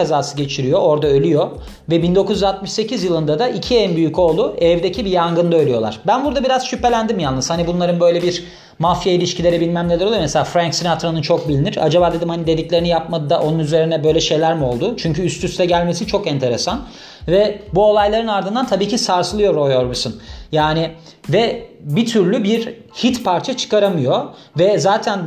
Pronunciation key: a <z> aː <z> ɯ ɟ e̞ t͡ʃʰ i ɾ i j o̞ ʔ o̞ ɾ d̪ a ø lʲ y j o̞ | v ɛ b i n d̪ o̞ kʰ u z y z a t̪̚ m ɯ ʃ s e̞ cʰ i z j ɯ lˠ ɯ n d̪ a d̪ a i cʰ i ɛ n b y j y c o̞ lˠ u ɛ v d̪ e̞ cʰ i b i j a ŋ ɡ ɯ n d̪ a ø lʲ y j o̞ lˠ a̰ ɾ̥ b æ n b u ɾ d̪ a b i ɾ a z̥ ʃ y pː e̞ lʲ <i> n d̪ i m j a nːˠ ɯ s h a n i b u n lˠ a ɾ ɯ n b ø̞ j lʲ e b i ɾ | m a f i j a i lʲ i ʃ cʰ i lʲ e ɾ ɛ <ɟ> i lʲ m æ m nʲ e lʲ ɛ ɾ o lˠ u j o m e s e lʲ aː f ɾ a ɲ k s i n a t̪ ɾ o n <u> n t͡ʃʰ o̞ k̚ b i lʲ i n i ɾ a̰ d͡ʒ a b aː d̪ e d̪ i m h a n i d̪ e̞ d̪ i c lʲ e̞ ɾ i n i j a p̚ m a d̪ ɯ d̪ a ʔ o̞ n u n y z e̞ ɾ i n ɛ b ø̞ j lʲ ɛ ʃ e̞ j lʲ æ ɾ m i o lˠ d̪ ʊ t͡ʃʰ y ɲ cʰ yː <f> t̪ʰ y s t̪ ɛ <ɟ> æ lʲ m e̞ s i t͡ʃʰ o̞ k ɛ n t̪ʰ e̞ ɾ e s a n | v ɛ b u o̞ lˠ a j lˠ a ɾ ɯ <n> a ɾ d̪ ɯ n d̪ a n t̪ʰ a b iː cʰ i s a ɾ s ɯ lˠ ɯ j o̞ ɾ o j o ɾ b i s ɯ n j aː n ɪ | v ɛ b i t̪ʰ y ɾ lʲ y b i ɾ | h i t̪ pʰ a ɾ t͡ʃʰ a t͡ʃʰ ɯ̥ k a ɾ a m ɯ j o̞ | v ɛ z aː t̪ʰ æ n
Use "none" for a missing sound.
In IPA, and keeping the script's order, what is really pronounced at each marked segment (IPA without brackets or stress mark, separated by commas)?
z, s, æ, b, ɯ, s, ɟ, n